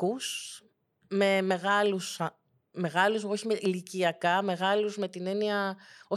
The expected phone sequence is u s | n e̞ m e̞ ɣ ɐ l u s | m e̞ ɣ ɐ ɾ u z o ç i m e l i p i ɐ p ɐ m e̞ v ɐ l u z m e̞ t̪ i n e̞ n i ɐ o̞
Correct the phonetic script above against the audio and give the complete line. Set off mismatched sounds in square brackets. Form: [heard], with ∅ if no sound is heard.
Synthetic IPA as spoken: u s | [m] e̞ m e̞ ɣ ɐ l u s | m e̞ ɣ ɐ [l] u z o ç i m e l i [c] i ɐ [k] ɐ m e̞ [ɣ] ɐ l u z m e̞ t̪ i n e̞ n i ɐ o̞